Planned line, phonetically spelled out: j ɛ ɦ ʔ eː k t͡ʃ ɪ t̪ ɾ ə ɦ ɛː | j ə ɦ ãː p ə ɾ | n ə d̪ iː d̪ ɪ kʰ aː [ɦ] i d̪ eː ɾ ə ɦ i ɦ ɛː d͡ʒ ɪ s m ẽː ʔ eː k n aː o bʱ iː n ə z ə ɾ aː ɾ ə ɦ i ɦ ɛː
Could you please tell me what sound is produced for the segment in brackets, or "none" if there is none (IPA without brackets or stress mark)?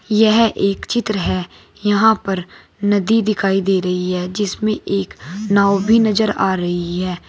none